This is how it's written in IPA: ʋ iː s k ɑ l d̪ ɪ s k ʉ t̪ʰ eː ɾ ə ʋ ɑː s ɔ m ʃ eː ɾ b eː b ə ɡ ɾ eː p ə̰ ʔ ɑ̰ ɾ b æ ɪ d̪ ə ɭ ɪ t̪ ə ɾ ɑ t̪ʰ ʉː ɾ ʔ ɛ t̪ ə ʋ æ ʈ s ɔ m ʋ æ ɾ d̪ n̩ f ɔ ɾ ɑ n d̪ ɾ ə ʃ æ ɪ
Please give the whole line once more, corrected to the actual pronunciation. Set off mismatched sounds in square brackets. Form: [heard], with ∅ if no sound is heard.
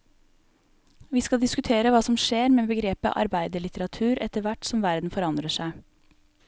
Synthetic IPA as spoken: ʋ iː s k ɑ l d̪ ɪ s k ʉ t̪ʰ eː ɾ ə ʋ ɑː s ɔ m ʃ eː ɾ [m] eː b ə ɡ ɾ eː p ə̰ ʔ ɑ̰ ɾ b æ ɪ d̪ ə ɭ ɪ t̪ ə ɾ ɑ t̪ʰ ʉː ɾ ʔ ɛ t̪ ə ʋ æ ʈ s ɔ m ʋ æ ɾ d̪ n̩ f ɔ ɾ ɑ n d̪ ɾ ə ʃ æ ɪ